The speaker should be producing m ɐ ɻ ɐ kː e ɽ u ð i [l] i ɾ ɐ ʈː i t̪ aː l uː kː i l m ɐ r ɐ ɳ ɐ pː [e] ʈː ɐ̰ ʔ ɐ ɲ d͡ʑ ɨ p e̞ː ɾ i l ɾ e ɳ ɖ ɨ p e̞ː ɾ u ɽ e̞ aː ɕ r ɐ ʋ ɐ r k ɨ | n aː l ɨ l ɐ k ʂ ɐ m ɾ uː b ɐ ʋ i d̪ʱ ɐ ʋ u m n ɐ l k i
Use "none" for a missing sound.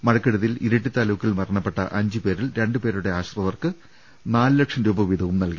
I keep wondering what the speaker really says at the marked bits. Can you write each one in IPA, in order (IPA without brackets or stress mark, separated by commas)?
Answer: l, e